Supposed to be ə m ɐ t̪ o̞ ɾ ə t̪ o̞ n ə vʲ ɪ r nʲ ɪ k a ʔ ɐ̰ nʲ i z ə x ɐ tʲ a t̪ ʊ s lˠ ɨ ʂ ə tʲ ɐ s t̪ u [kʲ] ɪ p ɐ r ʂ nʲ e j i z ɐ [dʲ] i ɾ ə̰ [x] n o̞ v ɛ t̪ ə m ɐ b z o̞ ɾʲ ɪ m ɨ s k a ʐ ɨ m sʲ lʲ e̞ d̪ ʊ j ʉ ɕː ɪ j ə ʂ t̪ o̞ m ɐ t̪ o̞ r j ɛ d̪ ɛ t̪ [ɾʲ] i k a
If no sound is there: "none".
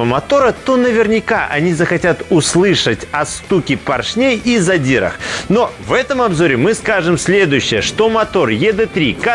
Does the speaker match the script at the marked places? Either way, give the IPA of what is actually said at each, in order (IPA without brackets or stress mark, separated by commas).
kʲ, dʲ, x, ɾʲ